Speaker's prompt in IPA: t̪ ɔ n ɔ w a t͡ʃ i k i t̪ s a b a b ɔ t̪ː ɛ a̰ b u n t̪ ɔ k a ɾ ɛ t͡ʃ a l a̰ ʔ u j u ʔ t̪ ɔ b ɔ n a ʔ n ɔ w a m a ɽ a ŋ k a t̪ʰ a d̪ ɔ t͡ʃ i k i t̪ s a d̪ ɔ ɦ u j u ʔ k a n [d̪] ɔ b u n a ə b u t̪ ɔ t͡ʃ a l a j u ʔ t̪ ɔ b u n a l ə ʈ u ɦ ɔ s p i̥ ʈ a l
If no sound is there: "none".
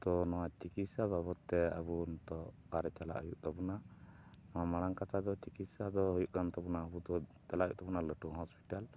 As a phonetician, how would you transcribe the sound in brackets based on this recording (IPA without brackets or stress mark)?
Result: t̪